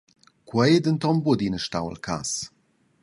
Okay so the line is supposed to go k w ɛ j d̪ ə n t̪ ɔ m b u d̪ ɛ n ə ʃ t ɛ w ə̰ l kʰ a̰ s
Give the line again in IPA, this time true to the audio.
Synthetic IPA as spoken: k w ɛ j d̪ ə n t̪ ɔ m b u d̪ i n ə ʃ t a w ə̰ l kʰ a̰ s